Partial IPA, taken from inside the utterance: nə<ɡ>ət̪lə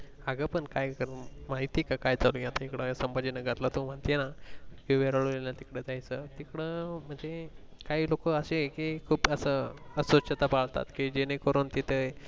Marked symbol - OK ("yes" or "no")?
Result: yes